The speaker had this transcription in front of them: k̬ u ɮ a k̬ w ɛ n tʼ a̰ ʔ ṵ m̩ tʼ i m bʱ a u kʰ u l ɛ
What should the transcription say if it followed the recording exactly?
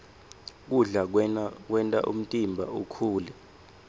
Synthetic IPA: k̬ u ɮ a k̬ w ɛ n tʼ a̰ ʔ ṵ m̩ tʼ i m bʱ a u kʰ uː l ɛ